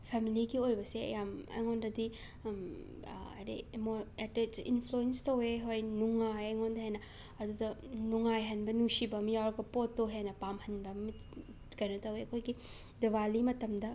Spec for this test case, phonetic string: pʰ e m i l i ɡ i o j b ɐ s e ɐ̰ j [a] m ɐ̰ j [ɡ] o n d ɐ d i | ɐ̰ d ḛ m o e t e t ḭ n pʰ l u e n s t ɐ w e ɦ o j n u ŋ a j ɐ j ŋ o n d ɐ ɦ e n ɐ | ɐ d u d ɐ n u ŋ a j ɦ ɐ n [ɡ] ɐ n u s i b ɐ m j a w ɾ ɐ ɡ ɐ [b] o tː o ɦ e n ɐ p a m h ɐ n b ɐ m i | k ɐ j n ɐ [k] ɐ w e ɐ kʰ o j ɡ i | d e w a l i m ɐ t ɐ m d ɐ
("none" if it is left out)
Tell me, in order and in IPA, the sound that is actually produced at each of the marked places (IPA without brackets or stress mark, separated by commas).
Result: a, ŋ, b, p, t